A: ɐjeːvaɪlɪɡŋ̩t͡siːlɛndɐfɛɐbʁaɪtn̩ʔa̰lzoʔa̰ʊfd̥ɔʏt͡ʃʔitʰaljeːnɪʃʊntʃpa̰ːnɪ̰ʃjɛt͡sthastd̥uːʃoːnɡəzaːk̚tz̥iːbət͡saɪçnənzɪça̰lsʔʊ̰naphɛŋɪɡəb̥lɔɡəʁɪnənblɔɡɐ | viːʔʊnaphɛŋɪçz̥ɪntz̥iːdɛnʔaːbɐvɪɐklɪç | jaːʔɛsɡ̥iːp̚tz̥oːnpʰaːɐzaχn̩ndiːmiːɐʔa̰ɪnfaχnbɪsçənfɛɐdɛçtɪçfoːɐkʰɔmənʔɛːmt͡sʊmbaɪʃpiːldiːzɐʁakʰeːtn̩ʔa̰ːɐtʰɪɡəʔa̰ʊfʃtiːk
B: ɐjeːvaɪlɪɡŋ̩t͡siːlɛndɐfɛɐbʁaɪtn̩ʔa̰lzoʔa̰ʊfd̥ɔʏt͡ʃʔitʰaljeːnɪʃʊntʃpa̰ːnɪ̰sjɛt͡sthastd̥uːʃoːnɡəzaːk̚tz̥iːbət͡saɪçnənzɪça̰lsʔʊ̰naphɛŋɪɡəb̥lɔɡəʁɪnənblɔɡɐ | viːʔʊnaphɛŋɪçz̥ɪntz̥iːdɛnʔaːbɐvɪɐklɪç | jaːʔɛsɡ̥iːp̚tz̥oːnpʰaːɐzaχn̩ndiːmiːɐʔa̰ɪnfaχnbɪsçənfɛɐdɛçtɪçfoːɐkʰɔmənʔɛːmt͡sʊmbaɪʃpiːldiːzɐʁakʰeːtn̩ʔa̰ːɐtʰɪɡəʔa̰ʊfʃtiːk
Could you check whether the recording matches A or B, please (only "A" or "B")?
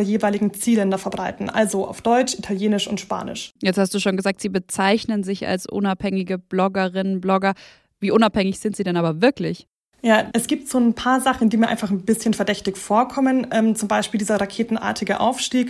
A